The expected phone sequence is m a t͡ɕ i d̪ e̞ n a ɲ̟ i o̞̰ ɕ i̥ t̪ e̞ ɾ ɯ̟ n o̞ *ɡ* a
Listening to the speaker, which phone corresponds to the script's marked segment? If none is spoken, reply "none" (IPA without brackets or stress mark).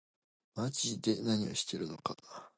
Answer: k